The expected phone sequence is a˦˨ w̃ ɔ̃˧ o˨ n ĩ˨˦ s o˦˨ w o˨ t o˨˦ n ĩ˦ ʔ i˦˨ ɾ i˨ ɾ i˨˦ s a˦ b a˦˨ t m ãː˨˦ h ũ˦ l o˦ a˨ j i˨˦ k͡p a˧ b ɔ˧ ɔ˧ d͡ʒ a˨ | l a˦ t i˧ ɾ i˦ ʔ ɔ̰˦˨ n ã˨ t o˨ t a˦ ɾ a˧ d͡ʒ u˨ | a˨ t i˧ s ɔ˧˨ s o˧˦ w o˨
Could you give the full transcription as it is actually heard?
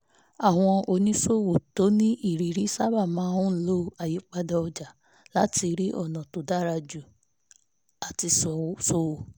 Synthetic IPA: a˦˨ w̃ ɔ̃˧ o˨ n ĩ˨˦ s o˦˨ w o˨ t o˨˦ n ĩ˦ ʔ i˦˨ ɾ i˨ ɾ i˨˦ s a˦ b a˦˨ m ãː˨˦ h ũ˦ l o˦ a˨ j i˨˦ k͡p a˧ d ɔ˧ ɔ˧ d͡ʒ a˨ | l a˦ t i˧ ɾ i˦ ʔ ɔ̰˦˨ n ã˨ t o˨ d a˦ ɾ a˧ d͡ʒ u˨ | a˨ t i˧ s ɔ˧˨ s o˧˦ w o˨